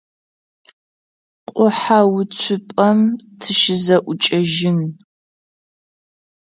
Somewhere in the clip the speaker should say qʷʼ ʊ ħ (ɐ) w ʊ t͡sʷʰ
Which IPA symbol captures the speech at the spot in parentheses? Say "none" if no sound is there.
a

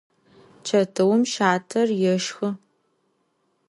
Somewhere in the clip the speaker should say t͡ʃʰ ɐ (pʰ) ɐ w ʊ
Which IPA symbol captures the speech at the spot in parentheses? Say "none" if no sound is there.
tʰ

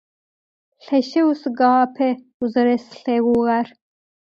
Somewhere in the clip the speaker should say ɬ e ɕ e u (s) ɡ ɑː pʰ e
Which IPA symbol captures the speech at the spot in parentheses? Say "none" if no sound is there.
s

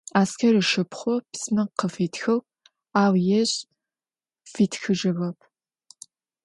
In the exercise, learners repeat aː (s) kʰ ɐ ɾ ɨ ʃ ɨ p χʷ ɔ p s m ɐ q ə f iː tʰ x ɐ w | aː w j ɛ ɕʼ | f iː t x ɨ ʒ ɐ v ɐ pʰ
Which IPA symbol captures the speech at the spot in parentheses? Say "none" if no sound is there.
s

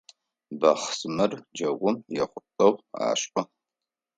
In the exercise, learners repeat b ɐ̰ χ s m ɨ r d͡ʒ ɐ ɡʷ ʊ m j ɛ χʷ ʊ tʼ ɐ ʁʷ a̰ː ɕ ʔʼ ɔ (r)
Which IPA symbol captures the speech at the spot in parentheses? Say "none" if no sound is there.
none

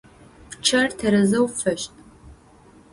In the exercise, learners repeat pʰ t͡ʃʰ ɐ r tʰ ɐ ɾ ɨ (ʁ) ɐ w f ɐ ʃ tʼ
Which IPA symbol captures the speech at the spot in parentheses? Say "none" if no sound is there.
z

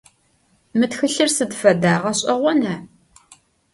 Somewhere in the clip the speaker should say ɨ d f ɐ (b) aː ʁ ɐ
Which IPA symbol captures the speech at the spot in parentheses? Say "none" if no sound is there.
d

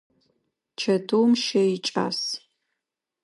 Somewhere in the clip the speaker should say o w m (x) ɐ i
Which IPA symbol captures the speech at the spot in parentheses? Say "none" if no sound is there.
ʃ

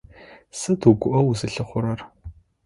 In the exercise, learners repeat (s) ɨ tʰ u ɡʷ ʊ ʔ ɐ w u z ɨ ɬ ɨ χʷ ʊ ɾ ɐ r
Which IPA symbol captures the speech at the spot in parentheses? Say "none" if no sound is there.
s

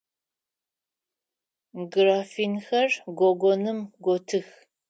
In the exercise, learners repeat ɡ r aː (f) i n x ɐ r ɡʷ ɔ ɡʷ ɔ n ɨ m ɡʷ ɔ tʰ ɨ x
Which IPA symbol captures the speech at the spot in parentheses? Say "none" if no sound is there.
f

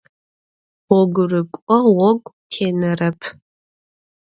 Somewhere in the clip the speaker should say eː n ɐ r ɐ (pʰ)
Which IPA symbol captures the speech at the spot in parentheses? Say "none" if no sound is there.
pʰ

